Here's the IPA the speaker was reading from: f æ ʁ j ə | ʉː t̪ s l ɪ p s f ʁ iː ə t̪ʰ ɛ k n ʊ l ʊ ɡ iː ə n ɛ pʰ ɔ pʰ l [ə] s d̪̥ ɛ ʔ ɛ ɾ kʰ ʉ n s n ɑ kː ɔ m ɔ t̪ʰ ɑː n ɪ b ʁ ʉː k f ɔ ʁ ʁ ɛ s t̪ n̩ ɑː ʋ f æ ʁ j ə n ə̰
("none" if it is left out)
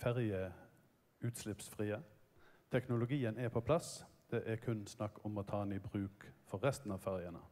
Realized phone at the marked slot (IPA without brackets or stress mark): ɑ